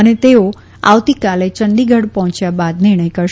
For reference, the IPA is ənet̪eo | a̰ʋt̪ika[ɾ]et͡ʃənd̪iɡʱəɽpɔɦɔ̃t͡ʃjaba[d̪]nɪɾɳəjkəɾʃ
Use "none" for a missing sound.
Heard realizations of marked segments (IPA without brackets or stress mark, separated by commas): l, d̪